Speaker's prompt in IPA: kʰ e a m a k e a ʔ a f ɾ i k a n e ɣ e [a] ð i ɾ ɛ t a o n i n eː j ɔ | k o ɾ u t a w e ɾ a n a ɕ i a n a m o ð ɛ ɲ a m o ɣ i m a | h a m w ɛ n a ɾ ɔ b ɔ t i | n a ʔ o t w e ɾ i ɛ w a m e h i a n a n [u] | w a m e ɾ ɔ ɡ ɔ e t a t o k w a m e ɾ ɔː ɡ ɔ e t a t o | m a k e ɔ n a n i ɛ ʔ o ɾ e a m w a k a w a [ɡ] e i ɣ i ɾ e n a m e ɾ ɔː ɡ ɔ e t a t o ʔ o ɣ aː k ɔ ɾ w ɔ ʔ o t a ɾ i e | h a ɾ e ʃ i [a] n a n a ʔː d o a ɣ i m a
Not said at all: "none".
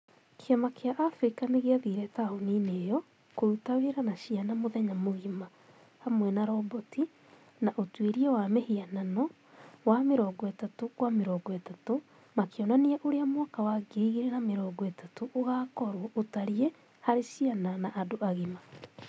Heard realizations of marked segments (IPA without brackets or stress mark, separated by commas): a, ɔ, ɡ, a